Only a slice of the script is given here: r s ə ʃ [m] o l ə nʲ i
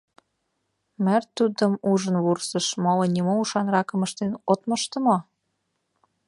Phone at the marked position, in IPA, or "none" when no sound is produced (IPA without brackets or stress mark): m